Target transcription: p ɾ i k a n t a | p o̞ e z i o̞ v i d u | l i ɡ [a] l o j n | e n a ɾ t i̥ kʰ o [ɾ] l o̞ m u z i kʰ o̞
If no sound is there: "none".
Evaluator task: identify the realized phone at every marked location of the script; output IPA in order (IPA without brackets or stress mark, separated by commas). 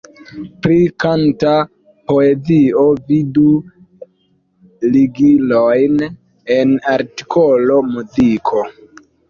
i, none